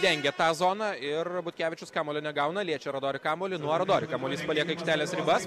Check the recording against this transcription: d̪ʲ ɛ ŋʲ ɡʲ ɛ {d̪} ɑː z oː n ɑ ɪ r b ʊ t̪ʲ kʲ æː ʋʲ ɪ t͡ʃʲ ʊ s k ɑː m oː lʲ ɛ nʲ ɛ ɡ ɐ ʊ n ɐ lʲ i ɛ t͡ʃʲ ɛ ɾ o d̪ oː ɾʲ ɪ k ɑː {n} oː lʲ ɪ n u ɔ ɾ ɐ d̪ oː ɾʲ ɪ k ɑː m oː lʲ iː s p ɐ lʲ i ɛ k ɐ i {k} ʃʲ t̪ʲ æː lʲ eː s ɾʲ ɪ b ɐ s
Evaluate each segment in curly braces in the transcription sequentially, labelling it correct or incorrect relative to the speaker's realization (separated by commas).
incorrect, incorrect, correct